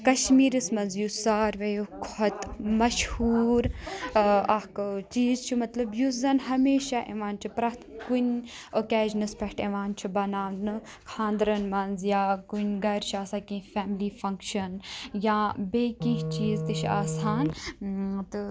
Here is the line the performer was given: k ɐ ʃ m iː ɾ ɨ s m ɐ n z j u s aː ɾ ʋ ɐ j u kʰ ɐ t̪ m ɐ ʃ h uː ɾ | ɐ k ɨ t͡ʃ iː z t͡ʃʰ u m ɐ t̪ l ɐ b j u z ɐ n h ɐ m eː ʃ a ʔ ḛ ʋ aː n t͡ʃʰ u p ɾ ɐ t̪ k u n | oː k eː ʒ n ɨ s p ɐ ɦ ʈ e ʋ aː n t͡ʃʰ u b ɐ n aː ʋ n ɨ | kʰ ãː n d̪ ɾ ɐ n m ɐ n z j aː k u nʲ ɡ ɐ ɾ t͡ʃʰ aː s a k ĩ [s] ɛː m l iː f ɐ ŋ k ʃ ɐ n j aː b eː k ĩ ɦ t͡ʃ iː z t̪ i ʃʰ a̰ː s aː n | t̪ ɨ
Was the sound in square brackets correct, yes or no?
no